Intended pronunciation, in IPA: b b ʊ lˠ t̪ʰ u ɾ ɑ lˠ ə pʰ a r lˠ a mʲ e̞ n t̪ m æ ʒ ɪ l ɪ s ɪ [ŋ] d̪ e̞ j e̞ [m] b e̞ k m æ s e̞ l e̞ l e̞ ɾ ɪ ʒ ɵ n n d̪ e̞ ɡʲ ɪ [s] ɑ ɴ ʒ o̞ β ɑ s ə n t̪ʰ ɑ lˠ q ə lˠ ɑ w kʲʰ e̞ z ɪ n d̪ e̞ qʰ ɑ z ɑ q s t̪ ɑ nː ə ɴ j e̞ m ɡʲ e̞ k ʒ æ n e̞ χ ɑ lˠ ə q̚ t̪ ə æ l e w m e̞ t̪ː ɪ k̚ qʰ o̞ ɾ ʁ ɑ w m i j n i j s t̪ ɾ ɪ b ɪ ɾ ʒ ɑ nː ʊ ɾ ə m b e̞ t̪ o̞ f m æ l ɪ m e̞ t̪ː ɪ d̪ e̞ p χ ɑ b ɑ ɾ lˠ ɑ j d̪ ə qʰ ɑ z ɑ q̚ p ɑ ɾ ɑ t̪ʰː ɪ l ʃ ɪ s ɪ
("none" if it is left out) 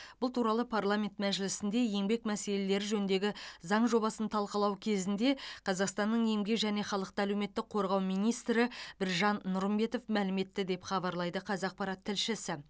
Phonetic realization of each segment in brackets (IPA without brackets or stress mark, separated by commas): n, ŋ, z